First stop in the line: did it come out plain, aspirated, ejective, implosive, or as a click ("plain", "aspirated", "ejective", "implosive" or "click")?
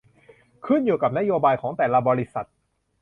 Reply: aspirated